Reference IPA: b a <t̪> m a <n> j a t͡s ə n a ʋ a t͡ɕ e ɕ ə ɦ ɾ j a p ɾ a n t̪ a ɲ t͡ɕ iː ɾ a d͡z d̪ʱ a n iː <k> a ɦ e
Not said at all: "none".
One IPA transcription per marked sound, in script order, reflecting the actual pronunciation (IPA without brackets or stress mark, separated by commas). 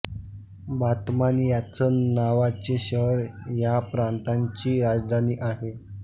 t̪, n, ʔ